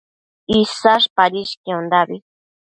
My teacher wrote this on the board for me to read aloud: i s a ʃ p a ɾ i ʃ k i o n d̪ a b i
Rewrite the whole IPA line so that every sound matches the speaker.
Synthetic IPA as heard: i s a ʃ p a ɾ i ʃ k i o n d̪ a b i

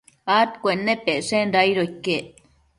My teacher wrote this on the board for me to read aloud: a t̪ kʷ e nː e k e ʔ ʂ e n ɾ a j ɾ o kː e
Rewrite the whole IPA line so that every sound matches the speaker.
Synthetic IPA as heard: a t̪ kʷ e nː e p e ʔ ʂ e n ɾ a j ɾ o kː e

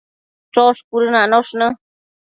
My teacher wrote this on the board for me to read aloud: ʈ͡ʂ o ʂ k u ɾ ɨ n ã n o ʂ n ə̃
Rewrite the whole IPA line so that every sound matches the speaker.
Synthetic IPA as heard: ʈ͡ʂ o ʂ k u ɾ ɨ n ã n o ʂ n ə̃

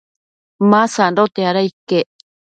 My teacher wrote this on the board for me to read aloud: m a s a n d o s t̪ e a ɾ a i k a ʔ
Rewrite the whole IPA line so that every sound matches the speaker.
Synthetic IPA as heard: m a s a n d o t̪ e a ɾ a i k e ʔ

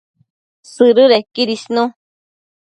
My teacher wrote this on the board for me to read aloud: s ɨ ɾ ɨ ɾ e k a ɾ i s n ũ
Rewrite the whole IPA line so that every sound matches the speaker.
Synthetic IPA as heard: s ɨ ɾ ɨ ɾ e k i ɾ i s n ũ

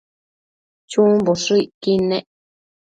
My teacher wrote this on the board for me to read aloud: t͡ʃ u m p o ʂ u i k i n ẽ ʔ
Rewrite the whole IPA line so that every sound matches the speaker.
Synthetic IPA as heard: t͡ʃ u m b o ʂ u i k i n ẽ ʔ

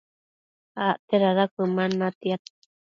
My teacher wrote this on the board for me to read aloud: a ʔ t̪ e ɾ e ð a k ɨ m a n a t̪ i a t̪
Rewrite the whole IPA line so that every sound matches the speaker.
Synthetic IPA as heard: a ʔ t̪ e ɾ a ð a k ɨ m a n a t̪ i a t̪

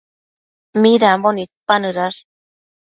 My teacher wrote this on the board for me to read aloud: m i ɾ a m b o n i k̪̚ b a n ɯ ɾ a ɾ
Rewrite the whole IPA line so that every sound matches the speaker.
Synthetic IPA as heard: m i ɾ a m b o n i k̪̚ p a n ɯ ɾ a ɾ

